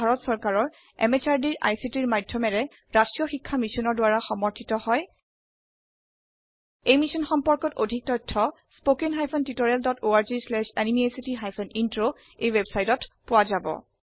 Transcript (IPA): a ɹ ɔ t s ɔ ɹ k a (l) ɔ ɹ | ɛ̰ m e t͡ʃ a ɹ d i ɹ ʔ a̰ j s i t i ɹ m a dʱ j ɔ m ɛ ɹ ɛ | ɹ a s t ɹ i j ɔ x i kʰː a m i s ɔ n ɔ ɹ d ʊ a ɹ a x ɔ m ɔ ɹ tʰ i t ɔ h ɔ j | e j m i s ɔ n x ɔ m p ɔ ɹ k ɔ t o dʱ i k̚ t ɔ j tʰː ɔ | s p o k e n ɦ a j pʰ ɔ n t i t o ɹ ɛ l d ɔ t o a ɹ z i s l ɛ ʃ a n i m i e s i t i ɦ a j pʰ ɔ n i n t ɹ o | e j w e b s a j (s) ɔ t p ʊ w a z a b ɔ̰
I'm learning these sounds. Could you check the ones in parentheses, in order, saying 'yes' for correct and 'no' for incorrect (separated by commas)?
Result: no, no